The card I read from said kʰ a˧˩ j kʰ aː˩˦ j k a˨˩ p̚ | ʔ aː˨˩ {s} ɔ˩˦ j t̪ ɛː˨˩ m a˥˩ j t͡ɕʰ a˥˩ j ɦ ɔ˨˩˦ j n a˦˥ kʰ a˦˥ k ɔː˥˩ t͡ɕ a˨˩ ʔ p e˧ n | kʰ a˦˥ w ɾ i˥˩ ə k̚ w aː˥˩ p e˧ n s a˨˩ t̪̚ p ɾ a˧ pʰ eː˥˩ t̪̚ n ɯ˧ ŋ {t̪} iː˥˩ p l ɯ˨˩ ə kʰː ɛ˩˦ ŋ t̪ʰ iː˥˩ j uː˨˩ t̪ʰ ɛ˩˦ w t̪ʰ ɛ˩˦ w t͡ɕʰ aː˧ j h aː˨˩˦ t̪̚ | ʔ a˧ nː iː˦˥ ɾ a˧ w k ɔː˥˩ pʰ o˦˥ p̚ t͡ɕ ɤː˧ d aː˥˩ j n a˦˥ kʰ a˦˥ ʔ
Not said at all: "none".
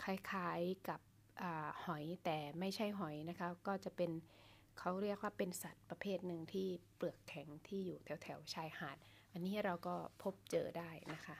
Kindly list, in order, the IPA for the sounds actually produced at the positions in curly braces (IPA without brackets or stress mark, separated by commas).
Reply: h, t̪ʰ